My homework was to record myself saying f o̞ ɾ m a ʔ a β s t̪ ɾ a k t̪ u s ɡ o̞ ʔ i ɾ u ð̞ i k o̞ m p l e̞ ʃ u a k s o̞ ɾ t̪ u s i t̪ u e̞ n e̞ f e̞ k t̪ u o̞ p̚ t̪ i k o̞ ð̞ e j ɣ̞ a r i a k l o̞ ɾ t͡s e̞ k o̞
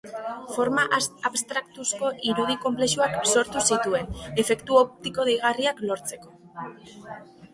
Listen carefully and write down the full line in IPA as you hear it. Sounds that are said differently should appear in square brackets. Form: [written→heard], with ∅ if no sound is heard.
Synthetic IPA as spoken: f o̞ ɾ m a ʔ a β s t̪ ɾ a k t̪ u s [ɡ→k] o̞ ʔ i ɾ u ð̞ i k o̞ m p l e̞ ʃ u a k s o̞ ɾ t̪ u s i t̪ u e̞ n e̞ f e̞ k t̪ u o̞ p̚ t̪ i k o̞ ð̞ e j ɣ̞ a r i a k l o̞ ɾ t͡s e̞ k o̞